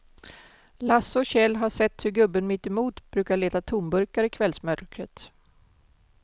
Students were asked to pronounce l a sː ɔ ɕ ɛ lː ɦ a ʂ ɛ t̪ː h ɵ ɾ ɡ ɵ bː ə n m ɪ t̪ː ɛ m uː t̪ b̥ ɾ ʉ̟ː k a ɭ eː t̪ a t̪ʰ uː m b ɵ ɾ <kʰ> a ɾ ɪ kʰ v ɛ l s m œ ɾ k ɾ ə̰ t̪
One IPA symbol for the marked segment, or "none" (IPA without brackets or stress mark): k